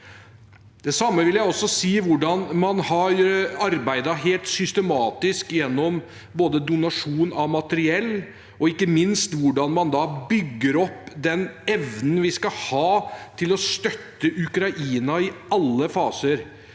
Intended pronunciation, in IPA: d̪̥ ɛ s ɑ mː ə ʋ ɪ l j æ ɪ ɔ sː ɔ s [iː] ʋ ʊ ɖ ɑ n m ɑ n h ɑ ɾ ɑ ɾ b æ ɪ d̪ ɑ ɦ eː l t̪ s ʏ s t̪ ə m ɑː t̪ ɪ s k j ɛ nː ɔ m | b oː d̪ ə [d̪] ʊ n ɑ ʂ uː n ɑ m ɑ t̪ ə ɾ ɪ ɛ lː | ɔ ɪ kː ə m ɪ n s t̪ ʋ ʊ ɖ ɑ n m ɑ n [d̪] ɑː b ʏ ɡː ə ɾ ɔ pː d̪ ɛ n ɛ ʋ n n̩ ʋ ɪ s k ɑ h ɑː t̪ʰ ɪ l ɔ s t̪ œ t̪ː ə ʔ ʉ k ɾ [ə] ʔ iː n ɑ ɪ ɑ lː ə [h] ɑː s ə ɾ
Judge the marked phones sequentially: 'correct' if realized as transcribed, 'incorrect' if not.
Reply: correct, correct, correct, incorrect: ɑ, incorrect: f

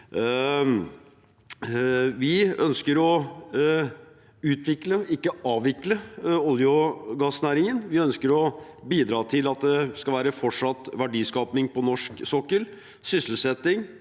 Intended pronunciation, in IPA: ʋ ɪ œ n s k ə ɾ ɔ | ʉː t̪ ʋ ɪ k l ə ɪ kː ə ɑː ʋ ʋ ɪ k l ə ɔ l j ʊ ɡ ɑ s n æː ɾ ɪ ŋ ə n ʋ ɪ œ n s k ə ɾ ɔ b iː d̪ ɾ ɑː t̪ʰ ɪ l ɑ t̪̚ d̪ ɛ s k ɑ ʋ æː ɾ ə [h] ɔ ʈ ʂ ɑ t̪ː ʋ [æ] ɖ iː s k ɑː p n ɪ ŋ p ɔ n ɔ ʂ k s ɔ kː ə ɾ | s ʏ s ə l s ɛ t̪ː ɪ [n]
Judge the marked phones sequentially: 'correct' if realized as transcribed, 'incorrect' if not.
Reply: incorrect: f, correct, incorrect: ŋ

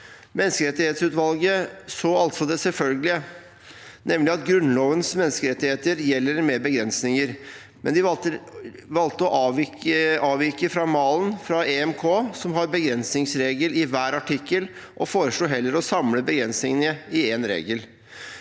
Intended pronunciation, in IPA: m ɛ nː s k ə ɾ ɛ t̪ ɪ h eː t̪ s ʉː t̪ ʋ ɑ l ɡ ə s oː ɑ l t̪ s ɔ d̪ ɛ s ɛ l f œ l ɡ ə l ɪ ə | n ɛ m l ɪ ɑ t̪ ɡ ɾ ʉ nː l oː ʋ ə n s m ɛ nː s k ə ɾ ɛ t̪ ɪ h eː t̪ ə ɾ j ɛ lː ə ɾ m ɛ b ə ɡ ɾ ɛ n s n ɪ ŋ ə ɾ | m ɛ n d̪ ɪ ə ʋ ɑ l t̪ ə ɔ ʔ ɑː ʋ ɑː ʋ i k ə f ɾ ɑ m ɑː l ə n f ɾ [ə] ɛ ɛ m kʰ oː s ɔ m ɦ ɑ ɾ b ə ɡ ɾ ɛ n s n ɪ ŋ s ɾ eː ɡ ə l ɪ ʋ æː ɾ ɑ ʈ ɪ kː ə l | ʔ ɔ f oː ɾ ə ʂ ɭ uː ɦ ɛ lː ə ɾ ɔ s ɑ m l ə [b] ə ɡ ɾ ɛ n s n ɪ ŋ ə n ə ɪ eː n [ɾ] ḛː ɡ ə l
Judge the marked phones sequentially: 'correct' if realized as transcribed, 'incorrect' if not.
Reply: incorrect: ɑ, correct, correct

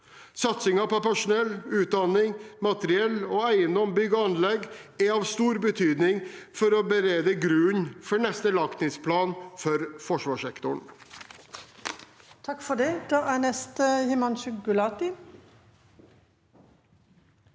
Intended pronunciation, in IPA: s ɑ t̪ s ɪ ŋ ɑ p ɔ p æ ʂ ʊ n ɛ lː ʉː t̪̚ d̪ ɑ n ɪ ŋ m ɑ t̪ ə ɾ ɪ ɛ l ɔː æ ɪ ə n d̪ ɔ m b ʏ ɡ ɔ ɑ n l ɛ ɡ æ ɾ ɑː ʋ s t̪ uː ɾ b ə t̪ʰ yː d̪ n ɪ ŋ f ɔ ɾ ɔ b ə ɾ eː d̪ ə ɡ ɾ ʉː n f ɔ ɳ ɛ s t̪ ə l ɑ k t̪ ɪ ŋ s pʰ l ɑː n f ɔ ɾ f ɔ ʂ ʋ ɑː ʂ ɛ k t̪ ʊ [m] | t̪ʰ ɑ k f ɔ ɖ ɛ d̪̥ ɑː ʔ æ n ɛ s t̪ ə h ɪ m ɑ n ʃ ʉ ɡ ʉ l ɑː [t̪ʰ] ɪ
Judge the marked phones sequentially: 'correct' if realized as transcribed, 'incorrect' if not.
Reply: incorrect: ɳ, incorrect: t̪

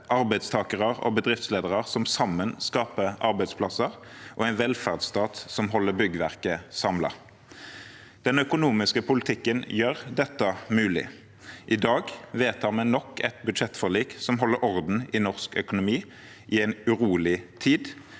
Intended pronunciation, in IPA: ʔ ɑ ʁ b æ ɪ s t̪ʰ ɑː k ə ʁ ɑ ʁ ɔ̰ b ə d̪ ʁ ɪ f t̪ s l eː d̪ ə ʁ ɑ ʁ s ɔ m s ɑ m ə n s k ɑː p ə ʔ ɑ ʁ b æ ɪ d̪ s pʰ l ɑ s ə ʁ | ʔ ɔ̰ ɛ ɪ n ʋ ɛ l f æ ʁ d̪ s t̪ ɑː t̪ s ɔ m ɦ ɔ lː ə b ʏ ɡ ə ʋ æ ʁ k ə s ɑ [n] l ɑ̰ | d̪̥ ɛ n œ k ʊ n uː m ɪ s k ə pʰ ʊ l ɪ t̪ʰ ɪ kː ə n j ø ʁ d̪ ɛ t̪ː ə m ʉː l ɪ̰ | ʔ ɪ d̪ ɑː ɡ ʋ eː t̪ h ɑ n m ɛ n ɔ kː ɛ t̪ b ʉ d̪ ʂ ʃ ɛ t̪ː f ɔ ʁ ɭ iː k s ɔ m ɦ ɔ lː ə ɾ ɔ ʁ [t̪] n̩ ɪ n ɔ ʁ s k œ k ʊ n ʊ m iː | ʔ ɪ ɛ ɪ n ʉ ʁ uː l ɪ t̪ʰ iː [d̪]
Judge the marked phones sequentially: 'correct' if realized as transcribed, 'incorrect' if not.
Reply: incorrect: m, incorrect: d̪, correct

